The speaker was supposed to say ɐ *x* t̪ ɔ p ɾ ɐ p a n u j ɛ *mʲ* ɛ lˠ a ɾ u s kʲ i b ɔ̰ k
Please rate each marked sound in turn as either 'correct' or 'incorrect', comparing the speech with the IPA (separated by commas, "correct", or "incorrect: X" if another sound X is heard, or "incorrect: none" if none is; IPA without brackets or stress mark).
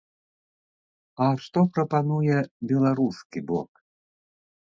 incorrect: ʂ, incorrect: bʲ